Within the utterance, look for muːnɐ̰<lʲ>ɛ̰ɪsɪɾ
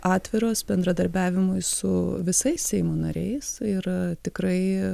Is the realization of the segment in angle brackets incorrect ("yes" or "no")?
yes